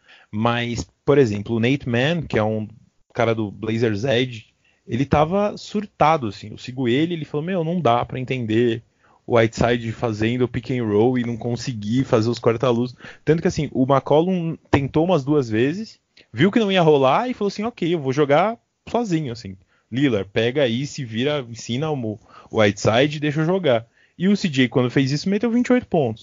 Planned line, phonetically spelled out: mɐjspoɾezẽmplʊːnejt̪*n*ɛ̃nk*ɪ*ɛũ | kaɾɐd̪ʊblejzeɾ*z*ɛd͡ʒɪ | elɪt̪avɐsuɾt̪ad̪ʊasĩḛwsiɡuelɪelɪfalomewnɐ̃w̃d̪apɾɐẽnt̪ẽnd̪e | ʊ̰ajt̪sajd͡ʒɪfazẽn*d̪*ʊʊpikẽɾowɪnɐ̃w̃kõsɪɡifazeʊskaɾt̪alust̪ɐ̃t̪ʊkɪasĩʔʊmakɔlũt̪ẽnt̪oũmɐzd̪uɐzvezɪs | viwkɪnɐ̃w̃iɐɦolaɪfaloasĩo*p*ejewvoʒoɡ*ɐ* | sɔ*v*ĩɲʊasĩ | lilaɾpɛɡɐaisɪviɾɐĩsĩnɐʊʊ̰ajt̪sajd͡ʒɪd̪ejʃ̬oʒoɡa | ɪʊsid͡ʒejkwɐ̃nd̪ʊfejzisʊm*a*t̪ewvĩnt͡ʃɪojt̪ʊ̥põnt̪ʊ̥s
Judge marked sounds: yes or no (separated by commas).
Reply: no, yes, yes, yes, no, no, no, no